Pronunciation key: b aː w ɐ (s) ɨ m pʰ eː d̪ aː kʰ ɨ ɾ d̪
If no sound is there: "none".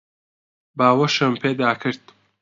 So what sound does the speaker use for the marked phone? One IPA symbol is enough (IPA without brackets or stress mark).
ʃ